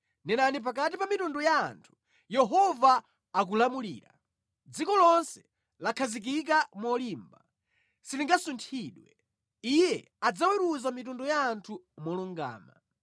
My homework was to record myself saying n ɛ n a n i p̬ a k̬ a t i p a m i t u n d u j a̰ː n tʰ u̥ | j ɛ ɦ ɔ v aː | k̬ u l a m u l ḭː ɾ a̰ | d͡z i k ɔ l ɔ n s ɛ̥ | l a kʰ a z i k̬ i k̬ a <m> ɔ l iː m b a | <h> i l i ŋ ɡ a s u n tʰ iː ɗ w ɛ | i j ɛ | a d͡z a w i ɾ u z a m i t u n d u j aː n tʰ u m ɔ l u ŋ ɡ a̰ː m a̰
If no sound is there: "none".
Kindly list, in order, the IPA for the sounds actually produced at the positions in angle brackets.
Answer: m, s

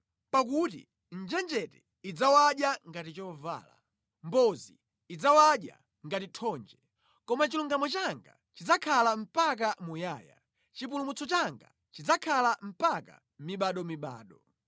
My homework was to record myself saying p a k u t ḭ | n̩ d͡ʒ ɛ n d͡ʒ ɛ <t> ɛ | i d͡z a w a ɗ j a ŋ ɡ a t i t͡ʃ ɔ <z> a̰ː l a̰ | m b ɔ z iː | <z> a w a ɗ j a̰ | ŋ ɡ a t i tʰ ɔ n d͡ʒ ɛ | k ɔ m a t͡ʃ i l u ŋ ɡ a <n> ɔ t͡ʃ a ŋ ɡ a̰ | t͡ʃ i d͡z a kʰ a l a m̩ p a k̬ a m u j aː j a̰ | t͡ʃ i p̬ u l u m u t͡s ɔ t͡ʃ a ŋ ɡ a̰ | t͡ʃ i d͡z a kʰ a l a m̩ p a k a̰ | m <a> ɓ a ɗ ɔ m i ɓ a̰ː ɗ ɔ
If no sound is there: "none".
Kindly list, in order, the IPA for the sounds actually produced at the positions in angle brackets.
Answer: t, v, d͡z, m, i

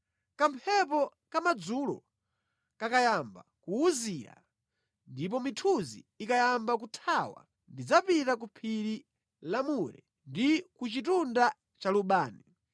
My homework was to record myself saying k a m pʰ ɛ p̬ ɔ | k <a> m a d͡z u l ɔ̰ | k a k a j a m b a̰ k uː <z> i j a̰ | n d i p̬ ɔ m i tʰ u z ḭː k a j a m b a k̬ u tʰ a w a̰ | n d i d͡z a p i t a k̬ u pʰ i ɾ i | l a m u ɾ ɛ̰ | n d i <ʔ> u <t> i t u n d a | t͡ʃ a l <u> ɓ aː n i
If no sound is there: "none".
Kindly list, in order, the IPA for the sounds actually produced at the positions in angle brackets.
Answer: a, z, k, t͡ʃ, u

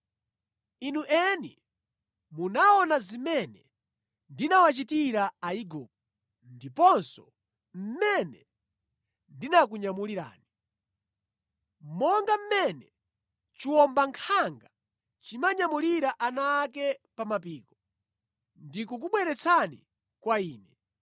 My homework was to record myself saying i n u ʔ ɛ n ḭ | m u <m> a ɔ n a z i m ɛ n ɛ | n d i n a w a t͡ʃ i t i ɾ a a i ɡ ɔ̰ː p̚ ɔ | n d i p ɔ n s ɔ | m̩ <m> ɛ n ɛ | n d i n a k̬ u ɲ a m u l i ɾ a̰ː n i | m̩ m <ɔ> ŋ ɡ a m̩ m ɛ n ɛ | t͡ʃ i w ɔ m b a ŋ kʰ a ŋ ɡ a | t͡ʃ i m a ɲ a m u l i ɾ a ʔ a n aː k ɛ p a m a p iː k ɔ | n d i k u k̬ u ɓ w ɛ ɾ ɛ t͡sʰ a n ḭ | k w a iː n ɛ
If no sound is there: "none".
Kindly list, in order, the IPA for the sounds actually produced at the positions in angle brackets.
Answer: n, m, ɔ

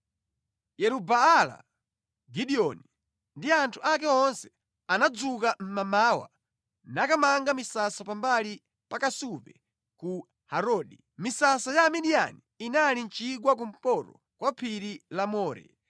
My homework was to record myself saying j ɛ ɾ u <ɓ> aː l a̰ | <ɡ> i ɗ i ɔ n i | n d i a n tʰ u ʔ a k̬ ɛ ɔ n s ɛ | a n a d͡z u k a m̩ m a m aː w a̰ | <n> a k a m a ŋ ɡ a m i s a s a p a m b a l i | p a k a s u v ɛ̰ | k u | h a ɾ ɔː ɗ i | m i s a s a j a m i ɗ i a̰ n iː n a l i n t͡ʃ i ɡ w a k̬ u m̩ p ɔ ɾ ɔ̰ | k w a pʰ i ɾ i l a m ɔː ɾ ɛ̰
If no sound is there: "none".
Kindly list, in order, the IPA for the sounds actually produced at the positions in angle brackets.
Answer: b, ɡ, n

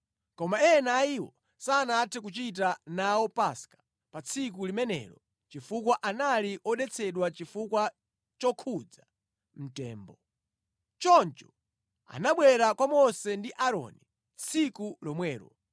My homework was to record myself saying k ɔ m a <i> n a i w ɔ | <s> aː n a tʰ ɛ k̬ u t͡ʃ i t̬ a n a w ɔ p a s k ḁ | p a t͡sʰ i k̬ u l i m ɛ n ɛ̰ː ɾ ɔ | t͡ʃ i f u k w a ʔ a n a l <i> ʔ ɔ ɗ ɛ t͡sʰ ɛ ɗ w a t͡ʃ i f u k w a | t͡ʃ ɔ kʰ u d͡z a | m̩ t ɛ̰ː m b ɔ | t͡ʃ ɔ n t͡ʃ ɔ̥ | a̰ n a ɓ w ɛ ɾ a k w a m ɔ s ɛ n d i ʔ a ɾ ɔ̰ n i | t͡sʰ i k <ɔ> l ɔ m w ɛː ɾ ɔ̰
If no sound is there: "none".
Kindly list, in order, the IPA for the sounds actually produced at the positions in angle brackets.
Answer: ɛ, s, i, u

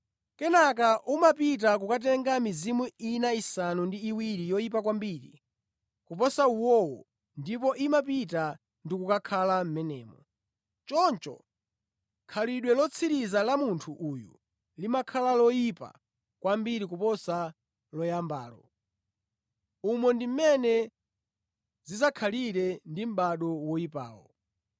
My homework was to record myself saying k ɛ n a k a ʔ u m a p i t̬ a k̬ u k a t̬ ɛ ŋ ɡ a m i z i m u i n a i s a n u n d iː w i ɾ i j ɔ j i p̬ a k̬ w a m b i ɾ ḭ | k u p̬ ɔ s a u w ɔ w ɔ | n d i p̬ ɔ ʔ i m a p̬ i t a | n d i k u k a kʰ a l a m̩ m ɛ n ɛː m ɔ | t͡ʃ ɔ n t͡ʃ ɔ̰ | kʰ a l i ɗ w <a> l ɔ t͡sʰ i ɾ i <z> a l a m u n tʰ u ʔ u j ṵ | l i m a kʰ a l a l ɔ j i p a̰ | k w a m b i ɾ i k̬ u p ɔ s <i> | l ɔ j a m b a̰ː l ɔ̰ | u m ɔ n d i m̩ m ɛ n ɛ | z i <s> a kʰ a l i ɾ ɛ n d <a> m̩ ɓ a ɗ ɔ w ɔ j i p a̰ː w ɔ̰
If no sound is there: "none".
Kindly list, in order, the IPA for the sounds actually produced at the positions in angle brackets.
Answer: ɛ, z, a, z, i

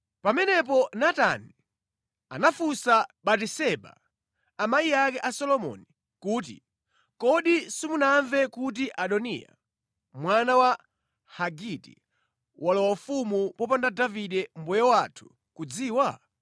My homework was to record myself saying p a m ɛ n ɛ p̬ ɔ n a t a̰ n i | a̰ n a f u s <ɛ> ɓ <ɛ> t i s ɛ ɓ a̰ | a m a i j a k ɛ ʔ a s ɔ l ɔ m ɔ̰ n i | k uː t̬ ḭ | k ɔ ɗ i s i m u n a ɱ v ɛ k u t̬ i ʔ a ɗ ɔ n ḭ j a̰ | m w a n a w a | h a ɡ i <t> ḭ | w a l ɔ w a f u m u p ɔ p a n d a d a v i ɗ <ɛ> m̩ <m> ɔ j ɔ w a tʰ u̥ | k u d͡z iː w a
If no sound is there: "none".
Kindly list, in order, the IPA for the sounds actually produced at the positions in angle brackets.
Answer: a, a, t, ɛ, b

